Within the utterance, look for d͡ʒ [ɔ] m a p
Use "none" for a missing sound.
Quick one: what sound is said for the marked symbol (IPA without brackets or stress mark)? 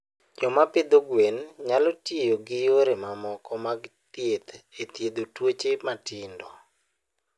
ɔ